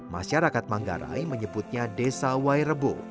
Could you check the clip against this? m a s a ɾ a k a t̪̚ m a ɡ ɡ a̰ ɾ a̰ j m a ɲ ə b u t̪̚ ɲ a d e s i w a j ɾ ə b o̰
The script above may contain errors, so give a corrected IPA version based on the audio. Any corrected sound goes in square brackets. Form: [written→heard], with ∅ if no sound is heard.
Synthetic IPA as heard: m a [s→ʃ] a ɾ a k a t̪̚ m a [ɡ→ŋ] ɡ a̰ ɾ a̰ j m [a→ə] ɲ ə b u t̪̚ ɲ a d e s [i→a] w a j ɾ ə b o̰